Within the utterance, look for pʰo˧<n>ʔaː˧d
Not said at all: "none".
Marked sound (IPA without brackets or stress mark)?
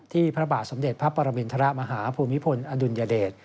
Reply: n